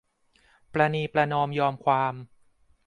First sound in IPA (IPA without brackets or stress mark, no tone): p